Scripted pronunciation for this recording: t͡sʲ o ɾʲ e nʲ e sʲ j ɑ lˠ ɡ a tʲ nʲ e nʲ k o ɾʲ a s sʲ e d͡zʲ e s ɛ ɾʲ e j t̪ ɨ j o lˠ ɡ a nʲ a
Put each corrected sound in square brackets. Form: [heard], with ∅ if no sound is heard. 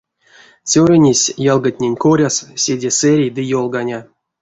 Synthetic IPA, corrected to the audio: t͡sʲ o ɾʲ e nʲ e sʲ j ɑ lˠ ɡ a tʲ nʲ e nʲ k o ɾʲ a s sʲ e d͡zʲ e s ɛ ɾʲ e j [d̪] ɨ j o lˠ ɡ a nʲ a